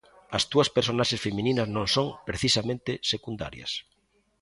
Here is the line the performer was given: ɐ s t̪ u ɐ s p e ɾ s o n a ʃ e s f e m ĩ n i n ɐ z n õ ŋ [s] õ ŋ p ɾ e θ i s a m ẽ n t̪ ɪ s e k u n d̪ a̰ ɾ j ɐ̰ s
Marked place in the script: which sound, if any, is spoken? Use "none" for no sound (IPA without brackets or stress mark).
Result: s